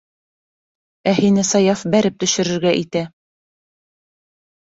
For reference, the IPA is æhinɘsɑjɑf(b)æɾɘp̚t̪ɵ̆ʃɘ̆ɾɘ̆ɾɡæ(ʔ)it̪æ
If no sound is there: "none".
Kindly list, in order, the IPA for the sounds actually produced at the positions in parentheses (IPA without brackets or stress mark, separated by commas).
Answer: b, ʔ